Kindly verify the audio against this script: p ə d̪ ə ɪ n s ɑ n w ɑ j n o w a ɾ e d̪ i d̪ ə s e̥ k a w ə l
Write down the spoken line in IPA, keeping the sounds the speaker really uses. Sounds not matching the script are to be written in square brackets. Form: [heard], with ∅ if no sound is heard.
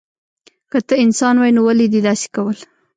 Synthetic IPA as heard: [k] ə [t̪] ə ɪ n s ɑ n w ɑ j n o w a [l] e d̪ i d̪ [ɑ] s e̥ k a w ə l